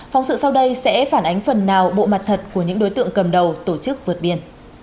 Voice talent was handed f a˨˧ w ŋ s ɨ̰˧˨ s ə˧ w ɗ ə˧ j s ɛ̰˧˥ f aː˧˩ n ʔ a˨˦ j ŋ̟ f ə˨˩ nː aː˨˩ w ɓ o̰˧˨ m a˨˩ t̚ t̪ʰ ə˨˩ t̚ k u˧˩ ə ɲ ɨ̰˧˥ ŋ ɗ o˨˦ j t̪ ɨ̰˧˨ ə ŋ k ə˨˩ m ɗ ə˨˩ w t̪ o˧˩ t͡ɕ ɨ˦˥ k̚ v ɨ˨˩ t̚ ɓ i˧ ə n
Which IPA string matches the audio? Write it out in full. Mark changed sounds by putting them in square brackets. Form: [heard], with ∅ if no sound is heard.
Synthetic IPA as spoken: f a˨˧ w [ŋ͡m] s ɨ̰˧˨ s [a˧] w ɗ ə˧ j s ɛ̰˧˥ f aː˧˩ n ʔ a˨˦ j ŋ̟ f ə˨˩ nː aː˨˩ w ɓ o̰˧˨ m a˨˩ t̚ t̪ʰ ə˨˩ t̚ k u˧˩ ə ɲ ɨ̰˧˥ ŋ ɗ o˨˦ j t̪ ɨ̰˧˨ ə ŋ k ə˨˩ m ɗ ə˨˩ w t̪ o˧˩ t͡ɕ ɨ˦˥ k̚ v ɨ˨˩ t̚ ɓ i˧ ə n